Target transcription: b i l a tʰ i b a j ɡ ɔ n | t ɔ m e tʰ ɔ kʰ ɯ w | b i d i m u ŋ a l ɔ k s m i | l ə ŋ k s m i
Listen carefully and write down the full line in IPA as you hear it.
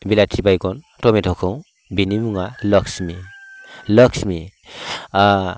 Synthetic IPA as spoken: b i l a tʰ i b a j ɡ ɔ n | t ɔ m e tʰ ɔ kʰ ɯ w | b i n i m u ŋ a l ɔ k s m i | l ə k s m i